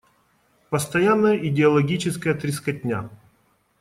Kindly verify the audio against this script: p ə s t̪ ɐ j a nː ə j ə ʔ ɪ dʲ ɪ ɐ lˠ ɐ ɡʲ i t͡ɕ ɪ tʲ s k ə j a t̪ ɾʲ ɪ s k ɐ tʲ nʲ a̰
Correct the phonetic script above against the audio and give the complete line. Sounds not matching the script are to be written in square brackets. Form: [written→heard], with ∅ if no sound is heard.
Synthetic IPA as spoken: p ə s t̪ ɐ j a nː ə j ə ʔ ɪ dʲ ɪ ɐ lˠ ɐ ɡʲ i t͡ɕ ɪ [tʲ→∅] s k ə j [a→ə] t̪ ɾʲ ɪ s k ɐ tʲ nʲ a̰